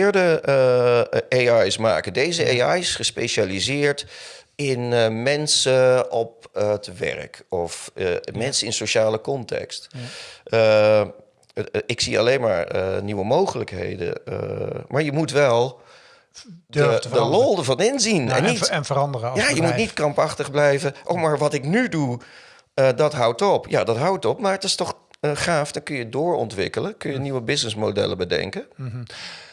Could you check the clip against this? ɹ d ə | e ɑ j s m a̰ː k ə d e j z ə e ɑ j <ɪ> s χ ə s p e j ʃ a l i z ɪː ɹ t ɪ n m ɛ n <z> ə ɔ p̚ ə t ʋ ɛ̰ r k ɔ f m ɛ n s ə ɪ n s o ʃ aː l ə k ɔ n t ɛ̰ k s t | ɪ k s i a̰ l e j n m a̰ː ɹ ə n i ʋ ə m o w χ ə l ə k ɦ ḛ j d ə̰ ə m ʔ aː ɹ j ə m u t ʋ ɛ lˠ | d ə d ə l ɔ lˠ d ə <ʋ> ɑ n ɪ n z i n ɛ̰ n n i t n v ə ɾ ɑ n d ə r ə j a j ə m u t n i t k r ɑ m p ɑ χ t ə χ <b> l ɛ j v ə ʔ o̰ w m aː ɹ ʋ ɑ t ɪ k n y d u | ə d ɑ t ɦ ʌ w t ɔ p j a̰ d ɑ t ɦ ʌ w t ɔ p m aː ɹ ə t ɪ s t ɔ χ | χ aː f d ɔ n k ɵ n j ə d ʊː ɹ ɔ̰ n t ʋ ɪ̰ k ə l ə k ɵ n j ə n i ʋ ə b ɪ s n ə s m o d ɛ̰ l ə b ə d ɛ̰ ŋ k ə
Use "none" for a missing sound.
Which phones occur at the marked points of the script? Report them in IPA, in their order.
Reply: ɪ, s, v, b

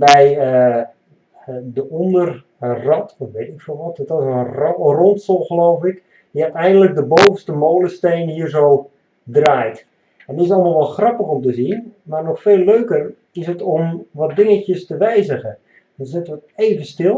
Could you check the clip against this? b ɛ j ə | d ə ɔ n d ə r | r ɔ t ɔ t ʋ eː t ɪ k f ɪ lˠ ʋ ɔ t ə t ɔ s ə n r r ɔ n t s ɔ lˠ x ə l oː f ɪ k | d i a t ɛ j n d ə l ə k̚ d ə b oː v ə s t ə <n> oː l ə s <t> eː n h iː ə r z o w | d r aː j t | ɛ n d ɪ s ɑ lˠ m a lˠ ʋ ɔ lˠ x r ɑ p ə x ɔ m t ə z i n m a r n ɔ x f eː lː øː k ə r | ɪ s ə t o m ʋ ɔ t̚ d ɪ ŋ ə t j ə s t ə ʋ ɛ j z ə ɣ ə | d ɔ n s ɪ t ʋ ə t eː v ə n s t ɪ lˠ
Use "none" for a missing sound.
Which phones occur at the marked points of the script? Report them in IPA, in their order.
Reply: m, t

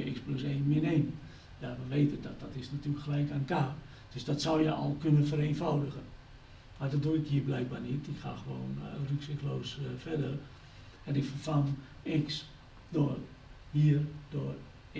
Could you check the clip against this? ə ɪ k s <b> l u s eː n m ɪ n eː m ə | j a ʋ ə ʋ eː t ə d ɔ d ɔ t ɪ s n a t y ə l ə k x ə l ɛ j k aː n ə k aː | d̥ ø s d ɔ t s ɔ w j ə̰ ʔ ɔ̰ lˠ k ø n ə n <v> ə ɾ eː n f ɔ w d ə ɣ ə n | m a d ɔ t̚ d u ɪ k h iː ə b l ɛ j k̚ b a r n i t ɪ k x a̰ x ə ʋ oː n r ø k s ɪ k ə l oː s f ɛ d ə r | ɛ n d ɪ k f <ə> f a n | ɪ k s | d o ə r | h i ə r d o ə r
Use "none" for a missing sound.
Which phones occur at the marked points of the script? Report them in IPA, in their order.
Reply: p, f, ə

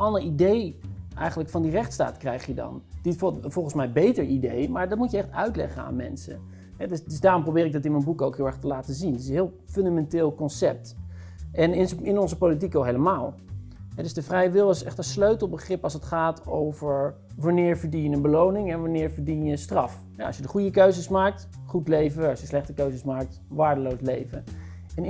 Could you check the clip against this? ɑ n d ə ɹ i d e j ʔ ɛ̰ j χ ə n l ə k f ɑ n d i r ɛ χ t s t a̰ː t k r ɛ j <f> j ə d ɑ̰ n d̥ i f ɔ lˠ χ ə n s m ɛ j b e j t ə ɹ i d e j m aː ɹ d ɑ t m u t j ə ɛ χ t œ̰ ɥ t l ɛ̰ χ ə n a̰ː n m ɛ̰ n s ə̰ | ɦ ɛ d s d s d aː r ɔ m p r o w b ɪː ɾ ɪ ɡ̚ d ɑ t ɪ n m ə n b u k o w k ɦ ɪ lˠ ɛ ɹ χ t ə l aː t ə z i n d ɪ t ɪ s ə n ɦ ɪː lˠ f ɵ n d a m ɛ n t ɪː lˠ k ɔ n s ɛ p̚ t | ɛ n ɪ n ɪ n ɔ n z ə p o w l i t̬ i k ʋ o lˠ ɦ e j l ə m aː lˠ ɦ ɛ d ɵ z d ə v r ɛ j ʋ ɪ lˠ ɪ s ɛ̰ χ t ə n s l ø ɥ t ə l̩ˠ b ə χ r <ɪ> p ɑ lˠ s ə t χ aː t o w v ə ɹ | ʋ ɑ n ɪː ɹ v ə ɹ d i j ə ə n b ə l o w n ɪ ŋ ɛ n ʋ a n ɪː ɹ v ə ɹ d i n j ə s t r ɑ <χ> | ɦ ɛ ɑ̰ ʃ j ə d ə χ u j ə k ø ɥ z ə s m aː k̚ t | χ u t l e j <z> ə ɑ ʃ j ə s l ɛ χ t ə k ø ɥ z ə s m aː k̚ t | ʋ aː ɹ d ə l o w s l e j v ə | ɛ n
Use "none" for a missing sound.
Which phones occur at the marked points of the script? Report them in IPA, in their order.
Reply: χ, ɪ, f, v

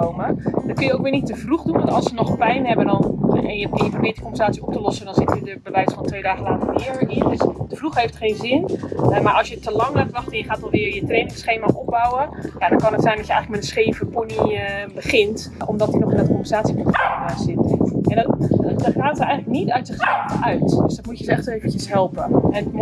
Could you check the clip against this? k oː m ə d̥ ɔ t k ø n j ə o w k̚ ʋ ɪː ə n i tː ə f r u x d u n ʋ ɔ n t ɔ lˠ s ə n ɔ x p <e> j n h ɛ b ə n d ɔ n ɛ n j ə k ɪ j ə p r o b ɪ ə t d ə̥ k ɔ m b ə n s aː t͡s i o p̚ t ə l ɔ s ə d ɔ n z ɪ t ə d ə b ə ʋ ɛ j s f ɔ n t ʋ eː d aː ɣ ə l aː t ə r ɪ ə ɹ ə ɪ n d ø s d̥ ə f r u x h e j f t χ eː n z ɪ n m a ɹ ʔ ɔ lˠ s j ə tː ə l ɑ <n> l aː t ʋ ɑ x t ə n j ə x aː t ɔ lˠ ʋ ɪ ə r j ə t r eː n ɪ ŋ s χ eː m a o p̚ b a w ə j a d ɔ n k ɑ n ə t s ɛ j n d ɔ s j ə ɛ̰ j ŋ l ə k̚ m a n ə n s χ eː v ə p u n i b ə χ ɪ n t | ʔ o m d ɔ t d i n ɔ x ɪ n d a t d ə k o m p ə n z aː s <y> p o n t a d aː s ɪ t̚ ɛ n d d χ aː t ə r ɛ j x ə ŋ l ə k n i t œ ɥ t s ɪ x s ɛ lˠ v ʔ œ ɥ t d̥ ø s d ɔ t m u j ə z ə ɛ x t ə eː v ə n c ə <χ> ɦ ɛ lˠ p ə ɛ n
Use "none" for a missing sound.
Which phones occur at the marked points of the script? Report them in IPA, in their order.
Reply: ɛ, ŋ, i, s

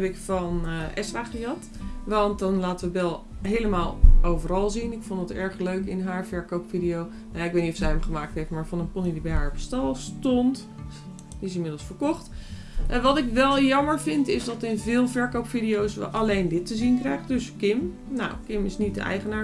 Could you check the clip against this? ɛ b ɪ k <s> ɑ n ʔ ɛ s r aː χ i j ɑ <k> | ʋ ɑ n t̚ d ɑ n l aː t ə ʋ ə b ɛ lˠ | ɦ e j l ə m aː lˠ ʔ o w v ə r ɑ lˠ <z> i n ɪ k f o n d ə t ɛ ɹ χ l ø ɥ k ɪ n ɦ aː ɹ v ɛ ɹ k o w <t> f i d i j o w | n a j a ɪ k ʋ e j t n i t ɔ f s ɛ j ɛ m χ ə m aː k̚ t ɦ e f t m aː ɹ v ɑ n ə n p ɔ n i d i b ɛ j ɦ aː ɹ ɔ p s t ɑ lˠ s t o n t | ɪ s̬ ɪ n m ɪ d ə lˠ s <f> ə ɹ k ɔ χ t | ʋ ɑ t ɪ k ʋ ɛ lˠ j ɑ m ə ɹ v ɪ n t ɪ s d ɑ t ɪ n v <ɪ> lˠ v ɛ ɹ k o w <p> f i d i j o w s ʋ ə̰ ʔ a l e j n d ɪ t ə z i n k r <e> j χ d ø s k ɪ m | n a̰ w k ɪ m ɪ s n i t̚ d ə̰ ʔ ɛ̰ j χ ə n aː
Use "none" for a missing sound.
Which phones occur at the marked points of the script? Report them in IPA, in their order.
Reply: f, t, z, p, f, ɪː, p, ɛ

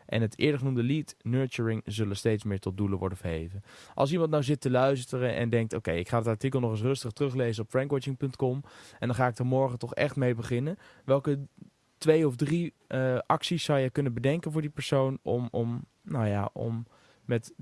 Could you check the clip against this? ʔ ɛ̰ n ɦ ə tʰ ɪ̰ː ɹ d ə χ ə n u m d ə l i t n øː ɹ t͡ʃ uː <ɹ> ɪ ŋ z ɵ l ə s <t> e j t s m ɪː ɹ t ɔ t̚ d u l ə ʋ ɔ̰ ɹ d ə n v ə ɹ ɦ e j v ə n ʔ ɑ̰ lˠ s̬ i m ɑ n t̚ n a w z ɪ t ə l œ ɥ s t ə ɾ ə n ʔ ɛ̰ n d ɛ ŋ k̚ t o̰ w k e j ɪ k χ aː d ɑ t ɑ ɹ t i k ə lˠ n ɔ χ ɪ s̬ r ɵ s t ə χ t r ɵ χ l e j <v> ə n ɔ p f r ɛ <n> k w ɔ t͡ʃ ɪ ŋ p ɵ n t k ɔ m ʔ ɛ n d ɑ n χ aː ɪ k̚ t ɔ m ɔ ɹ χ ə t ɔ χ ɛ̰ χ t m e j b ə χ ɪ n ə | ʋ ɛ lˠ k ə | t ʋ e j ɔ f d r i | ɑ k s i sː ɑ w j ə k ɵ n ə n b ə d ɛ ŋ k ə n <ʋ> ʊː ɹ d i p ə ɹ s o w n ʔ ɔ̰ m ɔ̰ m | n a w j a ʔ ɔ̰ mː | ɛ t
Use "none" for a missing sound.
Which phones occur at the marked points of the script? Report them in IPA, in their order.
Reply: ɹ, t, z, ŋ, v

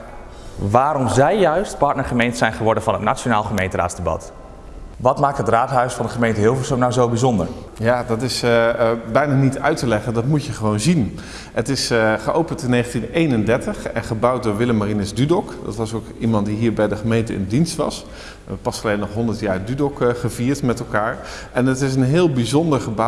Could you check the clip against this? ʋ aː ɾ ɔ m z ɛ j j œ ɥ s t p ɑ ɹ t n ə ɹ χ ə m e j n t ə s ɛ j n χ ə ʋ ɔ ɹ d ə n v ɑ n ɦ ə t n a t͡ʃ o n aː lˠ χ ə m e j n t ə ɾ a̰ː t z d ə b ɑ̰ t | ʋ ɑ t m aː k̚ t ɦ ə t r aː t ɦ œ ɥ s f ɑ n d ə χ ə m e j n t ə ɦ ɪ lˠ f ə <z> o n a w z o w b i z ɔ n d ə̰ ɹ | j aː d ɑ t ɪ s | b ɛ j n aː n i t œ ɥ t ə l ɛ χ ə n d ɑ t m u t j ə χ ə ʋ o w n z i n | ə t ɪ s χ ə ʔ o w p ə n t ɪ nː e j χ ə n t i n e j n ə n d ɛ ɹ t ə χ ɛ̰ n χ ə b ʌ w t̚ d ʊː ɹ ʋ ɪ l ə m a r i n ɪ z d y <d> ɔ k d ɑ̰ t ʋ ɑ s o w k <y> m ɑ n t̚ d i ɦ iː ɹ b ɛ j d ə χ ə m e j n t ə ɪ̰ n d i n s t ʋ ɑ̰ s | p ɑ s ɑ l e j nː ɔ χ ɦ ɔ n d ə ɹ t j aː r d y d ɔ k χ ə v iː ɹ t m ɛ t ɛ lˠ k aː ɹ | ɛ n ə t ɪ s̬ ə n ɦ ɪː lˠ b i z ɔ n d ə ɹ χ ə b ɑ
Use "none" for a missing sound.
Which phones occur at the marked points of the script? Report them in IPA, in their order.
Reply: s, d, i

